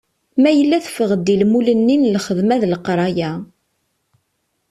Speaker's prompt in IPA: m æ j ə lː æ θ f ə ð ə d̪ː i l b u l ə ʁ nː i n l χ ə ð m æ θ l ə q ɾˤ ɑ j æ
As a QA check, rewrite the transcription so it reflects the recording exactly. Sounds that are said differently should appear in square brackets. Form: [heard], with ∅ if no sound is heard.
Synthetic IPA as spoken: m æ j ə lː æ θ f ə [ʁ] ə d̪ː i l [m] u l ə [∅] nː i n l χ ə ð m æ [ð] l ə q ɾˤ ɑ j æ